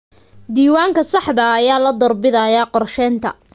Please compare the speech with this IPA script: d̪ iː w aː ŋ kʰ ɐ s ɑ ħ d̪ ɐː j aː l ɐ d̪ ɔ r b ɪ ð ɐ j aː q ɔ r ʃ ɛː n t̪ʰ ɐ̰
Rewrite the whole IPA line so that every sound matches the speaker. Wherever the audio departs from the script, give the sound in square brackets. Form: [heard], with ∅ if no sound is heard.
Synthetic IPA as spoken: d̪ iː w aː ŋ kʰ ɐ s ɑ ħ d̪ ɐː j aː l ɐ d̪ ɔ r b ɪ ð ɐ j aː q ɔ r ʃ ɛː n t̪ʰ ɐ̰

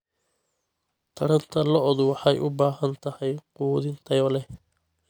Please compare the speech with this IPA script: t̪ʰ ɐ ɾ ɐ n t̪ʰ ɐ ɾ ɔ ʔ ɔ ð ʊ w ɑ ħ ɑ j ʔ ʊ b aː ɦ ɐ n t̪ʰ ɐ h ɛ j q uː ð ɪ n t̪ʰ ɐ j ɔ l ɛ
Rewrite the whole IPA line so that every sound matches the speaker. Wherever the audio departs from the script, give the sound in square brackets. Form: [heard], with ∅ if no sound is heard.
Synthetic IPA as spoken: t̪ʰ ɐ ɾ ɐ n t̪ʰ ɐ [l] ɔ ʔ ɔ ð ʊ w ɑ ħ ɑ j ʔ ʊ b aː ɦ ɐ n t̪ʰ ɐ h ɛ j q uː ð ɪ n t̪ʰ ɐ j ɔ l ɛ

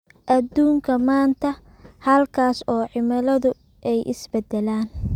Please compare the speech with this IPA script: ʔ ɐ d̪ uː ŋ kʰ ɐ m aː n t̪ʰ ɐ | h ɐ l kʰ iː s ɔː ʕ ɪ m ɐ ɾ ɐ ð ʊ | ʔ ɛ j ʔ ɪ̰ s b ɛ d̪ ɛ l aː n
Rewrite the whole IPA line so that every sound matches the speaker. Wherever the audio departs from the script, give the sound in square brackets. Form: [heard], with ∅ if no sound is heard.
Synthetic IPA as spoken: ʔ ɐ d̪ uː ŋ kʰ ɐ m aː n t̪ʰ ɐ | h ɐ l kʰ [aː] s ɔː ʕ ɪ m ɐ [l] ɐ ð ʊ | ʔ ɛ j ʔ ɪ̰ s b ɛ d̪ ɛ l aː n

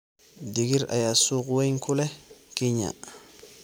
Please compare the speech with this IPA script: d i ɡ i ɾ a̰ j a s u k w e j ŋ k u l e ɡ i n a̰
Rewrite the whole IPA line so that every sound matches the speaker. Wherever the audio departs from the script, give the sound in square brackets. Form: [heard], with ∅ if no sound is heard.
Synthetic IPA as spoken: d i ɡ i ɾ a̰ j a s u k w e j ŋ k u l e [k] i [ɲ] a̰

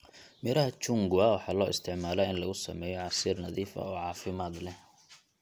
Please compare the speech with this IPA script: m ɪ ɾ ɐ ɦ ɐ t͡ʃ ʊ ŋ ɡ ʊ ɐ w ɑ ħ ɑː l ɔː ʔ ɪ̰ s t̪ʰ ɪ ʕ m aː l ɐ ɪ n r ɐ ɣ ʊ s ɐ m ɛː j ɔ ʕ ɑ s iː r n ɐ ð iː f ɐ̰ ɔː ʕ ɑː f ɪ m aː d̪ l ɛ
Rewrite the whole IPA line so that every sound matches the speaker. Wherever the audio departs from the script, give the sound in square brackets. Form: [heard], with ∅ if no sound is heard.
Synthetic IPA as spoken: m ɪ ɾ ɐ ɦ ɐ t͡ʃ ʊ ŋ ɡ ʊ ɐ w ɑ ħ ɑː l ɔː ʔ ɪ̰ s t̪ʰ ɪ ʕ m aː l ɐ ɪ n [l] ɐ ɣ ʊ s ɐ m ɛː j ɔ ʕ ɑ s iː r n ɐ ð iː f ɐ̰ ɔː ʕ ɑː f ɪ m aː d̪ l ɛ

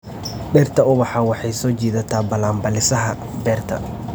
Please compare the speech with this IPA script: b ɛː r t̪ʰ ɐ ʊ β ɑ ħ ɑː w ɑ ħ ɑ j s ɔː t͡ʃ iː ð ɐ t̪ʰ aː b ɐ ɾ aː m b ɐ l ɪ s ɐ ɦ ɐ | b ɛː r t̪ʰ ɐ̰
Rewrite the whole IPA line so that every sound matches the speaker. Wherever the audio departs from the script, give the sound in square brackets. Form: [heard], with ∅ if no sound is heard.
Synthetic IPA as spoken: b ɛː r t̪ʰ ɐ ʊ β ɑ ħ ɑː w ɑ ħ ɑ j s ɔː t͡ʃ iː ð ɐ t̪ʰ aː b ɐ [l] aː m b ɐ l ɪ s ɐ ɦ ɐ | b ɛː r t̪ʰ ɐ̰

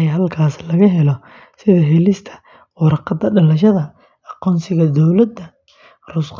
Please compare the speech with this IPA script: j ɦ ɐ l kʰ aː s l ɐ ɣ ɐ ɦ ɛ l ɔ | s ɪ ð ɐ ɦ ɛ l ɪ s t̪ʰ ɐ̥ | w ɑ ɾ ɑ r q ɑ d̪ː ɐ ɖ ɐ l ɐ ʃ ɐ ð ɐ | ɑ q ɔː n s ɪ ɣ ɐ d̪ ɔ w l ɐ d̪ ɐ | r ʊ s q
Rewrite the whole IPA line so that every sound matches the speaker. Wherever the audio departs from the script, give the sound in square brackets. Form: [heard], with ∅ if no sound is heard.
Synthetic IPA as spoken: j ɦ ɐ l kʰ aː s l ɐ ɣ ɐ ɦ ɛ l ɔ | s ɪ ð ɐ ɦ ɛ l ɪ s t̪ʰ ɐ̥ | w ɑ ɾ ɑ [∅] q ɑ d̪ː ɐ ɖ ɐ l ɐ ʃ ɐ ð ɐ | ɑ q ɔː n s ɪ ɣ ɐ d̪ ɔ w l ɐ d̪ ɐ | r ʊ s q

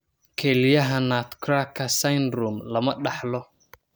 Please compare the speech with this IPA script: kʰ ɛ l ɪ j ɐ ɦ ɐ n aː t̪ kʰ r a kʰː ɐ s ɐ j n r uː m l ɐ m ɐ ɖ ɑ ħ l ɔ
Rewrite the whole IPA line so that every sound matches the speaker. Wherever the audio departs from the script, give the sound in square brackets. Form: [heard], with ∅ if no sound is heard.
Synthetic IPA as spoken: kʰ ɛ l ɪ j ɐ ɦ ɐ n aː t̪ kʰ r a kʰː ɐ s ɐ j n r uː m l ɐ m ɐ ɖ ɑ ħ l ɔ

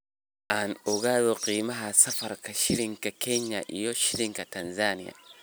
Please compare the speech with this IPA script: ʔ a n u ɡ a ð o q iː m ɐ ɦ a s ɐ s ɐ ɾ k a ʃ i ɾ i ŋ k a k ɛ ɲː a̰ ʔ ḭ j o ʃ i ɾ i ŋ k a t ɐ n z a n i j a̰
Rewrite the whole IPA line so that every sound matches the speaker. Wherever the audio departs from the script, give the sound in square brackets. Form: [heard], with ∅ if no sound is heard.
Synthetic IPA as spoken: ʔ a n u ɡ a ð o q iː m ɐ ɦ a s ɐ [f] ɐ ɾ k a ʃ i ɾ i ŋ k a k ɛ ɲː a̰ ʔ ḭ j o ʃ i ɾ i ŋ k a t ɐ n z a n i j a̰

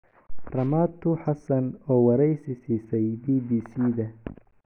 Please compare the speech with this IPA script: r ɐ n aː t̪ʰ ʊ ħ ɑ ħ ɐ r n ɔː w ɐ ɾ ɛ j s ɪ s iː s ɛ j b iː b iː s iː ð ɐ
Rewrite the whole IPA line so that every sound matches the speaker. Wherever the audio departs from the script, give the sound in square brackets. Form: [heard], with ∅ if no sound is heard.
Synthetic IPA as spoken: r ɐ [m] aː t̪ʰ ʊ ħ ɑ [s] ɐ [∅] n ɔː w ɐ ɾ ɛ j s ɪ s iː s ɛ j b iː b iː s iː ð ɐ

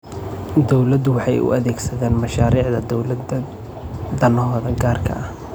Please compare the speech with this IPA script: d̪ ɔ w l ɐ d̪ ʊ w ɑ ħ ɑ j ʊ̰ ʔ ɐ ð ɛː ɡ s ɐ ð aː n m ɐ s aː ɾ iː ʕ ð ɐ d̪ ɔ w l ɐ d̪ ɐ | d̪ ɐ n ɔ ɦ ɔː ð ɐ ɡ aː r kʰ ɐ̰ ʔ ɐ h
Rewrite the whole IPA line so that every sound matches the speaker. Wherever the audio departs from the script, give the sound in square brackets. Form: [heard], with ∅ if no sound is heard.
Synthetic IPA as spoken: d̪ ɔ w l ɐ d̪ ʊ w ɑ ħ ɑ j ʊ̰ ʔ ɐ ð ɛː ɡ s ɐ ð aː n m ɐ [ʃ] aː ɾ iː ʕ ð ɐ d̪ ɔ w l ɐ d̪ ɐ | d̪ ɐ n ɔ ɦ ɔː ð ɐ ɡ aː r kʰ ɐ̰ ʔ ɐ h

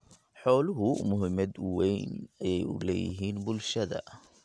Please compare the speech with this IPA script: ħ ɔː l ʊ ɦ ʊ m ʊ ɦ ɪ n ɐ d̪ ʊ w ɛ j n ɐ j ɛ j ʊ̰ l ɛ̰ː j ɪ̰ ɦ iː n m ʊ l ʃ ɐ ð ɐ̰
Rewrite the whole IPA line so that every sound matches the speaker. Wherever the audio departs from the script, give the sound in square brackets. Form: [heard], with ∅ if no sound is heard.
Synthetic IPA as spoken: ħ ɔː l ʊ ɦ ʊ m ʊ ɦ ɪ [m] ɐ d̪ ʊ w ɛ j n ɐ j ɛ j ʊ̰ l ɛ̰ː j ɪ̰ ɦ iː n [b] ʊ l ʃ ɐ ð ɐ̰

